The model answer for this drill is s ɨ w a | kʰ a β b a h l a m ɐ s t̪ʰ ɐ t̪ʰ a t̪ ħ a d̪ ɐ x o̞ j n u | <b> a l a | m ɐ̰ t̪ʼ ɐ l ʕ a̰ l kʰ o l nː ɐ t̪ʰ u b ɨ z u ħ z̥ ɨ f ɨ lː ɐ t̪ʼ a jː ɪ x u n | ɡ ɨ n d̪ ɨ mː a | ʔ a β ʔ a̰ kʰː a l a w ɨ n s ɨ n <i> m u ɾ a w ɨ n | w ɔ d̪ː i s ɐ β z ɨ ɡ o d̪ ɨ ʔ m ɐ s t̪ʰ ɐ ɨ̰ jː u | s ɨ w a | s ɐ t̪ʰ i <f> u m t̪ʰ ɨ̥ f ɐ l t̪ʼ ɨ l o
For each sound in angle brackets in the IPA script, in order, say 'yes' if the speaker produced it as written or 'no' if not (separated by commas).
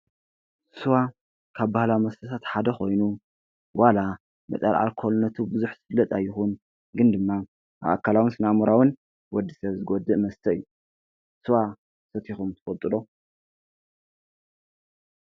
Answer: no, no, no